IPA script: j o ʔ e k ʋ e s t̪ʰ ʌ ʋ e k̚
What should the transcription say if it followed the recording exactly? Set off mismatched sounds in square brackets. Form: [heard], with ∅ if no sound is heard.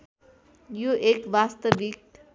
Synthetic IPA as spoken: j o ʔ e k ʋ [a] s [t̪] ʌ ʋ [i] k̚